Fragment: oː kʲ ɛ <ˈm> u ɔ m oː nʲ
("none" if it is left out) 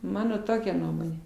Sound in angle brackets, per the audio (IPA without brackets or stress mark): n